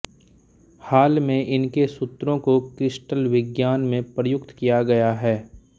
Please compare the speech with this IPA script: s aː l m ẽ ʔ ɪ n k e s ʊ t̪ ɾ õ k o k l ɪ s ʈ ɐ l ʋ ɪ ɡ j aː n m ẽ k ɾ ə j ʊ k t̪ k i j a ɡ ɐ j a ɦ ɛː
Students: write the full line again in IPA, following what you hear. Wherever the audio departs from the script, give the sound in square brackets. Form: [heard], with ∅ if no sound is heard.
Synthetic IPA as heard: [h] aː l m ẽ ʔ ɪ n k e s ʊ t̪ ɾ õ k o k [ɾ] ɪ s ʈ [ə] l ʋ ɪ ɡ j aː n m ẽ [p] ɾ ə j ʊ k t̪ k i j a ɡ ɐ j a ɦ ɛː